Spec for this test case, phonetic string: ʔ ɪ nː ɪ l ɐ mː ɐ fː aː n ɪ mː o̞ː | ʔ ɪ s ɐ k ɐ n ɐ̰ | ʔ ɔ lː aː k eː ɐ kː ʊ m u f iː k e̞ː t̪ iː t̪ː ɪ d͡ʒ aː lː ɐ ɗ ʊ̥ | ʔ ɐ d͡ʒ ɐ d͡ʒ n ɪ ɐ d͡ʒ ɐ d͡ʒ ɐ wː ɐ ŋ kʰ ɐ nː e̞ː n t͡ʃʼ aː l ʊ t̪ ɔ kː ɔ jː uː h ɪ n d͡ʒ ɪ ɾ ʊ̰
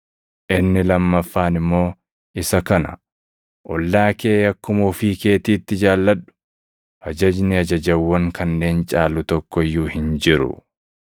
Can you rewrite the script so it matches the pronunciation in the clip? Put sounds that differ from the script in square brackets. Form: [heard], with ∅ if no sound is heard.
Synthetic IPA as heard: ʔ ɪ nː ɪ l ɐ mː ɐ fː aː n ɪ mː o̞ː | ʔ ɪ s ɐ k ɐ n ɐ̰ | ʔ ɔ lː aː k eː ɐ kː ʊ m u f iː k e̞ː t̪ iː t̪ː ɪ d͡ʒ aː lː ɐ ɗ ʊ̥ | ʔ ɐ d͡ʒ ɐ d͡ʒ n ɪ ɐ d͡ʒ ɐ d͡ʒ ɐ wː ɐ ŋ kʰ ɐ nː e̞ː n t͡ʃʼ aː l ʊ t̪ ɔ kː ɔ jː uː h ɪ n d͡ʒ ɪ ɾ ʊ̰